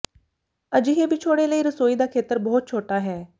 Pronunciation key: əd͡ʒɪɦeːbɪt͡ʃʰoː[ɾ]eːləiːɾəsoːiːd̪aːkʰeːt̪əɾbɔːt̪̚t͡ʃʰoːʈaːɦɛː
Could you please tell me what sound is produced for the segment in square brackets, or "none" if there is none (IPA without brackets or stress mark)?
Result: ɽ